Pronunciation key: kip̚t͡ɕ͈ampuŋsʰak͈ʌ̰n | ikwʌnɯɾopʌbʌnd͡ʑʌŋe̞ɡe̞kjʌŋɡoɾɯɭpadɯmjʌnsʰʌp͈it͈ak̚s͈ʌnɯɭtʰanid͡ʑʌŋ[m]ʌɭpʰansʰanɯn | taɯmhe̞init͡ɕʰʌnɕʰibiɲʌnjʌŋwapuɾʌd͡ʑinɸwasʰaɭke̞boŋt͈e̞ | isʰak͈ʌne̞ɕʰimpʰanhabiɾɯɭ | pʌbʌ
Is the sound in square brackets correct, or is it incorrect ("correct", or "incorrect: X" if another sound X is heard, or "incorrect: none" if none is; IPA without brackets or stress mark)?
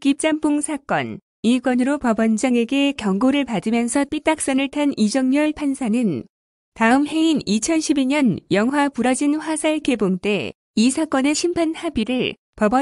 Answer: incorrect: ɲ